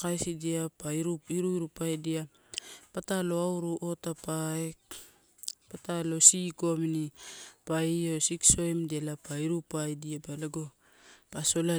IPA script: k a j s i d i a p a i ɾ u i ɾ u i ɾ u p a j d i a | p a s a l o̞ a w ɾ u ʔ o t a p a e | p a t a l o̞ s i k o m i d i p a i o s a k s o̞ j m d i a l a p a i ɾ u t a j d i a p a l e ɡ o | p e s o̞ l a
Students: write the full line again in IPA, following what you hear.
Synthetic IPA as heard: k a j s i d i a p a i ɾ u i ɾ u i ɾ u p a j d i a | p a t a l o̞ a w ɾ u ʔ o t a p a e | p a t a l o̞ s i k o m i n i p a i o s i k s o̞ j m d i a l a p a i ɾ u p a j d i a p a l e ɡ o | p a s o̞ l a